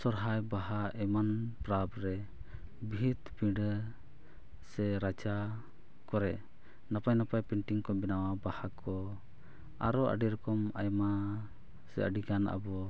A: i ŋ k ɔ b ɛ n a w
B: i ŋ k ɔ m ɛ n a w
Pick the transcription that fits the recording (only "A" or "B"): A